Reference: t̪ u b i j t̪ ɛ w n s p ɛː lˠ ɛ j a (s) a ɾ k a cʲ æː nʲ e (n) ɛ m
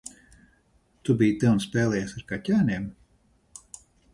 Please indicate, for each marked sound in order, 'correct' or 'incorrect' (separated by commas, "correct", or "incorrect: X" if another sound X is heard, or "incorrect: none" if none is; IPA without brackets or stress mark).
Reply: correct, incorrect: none